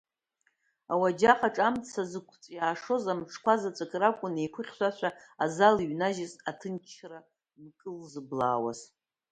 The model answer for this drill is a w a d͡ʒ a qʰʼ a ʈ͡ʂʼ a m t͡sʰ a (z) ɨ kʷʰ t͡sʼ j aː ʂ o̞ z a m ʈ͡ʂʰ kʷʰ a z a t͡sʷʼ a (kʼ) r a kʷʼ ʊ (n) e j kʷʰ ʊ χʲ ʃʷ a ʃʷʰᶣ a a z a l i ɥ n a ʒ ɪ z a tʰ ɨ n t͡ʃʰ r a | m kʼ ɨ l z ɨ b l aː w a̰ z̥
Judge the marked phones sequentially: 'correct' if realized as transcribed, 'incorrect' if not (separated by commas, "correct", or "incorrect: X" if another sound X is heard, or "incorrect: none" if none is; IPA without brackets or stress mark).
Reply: correct, correct, correct